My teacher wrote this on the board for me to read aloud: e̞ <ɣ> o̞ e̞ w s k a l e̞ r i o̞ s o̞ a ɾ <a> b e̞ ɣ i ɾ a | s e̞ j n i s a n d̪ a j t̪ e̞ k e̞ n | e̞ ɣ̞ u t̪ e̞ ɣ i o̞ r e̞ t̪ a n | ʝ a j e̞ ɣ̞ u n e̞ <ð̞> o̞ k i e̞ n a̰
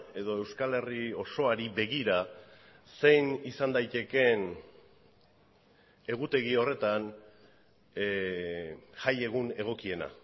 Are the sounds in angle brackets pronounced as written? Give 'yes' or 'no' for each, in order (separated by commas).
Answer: no, no, no